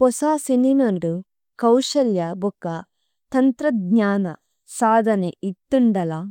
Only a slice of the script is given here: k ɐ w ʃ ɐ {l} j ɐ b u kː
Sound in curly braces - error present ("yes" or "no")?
no